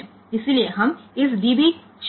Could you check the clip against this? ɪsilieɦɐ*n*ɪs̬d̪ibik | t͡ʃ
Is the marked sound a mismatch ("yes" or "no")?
yes